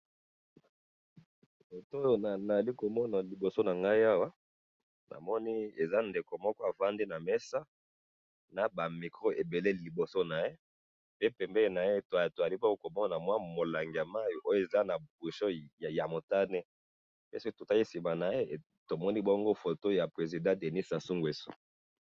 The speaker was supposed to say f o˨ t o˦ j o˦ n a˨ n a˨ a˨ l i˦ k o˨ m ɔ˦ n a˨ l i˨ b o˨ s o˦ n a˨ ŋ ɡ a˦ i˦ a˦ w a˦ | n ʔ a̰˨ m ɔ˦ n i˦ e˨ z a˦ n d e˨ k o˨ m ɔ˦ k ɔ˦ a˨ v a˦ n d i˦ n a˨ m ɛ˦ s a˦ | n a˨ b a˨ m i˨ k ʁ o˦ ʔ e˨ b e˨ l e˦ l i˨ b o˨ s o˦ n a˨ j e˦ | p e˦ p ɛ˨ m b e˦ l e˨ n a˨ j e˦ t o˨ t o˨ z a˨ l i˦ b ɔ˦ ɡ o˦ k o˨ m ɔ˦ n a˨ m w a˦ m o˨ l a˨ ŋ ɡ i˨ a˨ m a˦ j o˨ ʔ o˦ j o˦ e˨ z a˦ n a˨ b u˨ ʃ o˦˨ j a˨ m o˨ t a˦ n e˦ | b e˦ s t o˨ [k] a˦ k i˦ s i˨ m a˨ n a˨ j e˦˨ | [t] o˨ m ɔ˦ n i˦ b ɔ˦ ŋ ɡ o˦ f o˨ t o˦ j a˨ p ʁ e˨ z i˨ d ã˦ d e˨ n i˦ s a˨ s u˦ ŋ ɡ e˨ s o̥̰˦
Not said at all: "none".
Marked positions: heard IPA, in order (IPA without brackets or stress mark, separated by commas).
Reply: t, t